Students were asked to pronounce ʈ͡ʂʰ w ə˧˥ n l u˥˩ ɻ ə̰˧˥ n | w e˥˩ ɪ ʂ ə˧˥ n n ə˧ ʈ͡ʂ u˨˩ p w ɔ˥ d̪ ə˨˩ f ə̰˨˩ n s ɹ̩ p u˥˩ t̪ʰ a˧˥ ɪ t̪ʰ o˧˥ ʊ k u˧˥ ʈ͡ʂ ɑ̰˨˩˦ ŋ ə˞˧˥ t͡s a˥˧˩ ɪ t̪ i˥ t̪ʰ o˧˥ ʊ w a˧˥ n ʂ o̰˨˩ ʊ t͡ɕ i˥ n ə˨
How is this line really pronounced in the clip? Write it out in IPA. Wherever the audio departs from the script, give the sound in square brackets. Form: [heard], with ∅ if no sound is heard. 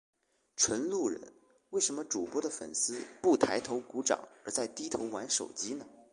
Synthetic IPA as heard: ʈ͡ʂʰ w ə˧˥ n l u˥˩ ɻ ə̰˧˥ n | w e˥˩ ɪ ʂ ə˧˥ n [m] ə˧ ʈ͡ʂ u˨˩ p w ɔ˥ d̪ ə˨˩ f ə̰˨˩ n s ɹ̩ p u˥˩ t̪ʰ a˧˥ ɪ t̪ʰ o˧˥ ʊ k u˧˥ ʈ͡ʂ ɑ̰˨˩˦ ŋ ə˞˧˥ t͡s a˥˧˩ ɪ t̪ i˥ t̪ʰ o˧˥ ʊ w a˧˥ n ʂ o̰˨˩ ʊ t͡ɕ i˥ n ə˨